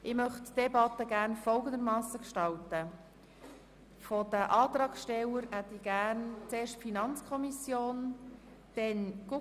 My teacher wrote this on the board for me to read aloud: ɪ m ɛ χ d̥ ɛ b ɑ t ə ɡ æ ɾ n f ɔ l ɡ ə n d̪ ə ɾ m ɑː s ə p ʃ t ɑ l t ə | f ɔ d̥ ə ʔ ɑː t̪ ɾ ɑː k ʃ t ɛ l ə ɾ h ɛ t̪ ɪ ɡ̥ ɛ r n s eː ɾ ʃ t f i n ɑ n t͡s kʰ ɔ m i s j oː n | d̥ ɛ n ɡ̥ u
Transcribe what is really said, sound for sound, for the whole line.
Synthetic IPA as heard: ɪ m œ χ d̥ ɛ b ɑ t ə ɡ æ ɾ n f ɔ l ɡ ə n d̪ ə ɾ m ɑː s ə k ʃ t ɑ l t ə | f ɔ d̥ ə ʔ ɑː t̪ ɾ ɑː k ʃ t ɛ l ə ɾ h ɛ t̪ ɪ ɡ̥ æ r n t͡s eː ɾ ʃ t f i n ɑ n t͡s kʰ ɔ m i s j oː n | d̥ ɛ n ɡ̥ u